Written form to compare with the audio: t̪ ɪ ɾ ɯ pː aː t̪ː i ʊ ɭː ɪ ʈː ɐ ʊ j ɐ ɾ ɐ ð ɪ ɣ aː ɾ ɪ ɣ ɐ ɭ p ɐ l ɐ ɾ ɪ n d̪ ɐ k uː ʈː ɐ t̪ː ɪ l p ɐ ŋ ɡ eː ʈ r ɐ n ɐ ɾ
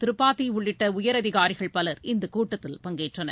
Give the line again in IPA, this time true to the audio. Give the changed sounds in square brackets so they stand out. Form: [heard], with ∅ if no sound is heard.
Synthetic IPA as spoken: t̪ ɪ ɾ ɯ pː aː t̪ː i ʊ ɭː ɪ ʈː ɐ ʊ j ɐ ɾ ɐ ð ɪ ɣ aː ɾ ɪ ɣ ɐ ɭ p ɐ l ɐ ɾ ɪ n d̪ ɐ k uː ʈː ɐ t̪ː ɪ l p ɐ ŋ ɡ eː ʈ r ɐ n ɐ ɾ